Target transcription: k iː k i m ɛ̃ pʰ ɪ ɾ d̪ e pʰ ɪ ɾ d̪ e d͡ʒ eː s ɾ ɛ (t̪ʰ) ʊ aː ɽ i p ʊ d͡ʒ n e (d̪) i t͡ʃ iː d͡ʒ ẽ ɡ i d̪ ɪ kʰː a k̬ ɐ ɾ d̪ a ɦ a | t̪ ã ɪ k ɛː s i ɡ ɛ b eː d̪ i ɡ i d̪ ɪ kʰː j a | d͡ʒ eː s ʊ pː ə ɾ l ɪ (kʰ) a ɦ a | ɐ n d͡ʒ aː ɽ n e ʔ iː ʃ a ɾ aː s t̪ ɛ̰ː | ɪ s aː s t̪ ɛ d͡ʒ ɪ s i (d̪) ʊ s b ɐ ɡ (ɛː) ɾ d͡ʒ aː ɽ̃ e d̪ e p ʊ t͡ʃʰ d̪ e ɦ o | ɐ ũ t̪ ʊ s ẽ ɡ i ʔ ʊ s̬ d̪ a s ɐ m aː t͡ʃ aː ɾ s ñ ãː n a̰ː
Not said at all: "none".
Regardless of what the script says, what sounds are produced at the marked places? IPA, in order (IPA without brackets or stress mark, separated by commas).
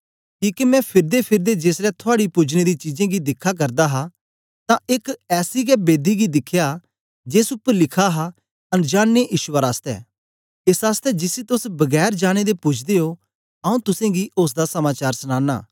t̪ʰ, d̪, kʰ, t̪, ɛː